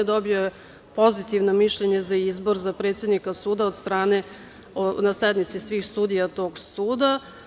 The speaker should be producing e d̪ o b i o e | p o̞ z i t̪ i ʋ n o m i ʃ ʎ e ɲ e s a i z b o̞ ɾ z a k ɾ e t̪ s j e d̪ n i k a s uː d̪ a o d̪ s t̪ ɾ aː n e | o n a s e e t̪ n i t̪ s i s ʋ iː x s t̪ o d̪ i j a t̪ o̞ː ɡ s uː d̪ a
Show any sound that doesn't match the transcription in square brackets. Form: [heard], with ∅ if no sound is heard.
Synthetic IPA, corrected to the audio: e d̪ o b i o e | p o̞ z i t̪ i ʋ n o m i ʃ ʎ e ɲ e [z] a i z b o̞ ɾ z a [p] ɾ e t̪ s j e d̪ n i k a s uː d̪ a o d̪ s t̪ ɾ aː n e | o n a s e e [d̪] n i t̪ s i s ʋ iː x s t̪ [u] d̪ i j a t̪ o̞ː ɡ s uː d̪ a